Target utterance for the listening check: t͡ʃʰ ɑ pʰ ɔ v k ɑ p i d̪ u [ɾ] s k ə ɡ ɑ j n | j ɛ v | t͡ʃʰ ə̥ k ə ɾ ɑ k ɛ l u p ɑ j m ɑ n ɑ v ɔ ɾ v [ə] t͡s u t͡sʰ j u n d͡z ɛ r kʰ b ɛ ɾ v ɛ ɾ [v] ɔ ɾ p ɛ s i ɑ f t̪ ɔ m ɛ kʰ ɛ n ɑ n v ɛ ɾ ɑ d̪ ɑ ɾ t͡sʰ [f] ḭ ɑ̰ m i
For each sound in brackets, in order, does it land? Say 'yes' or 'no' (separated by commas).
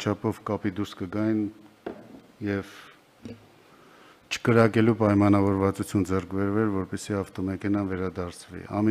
yes, no, yes, no